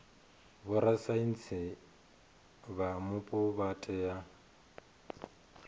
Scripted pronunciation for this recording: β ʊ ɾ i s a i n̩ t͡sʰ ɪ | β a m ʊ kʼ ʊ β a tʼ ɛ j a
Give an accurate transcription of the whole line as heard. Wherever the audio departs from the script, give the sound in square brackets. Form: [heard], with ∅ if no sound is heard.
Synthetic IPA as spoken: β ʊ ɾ [a] s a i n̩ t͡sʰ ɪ | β a m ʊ [pʼ] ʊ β a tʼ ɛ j a